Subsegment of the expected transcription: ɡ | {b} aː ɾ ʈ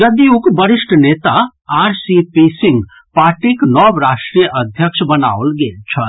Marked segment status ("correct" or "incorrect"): incorrect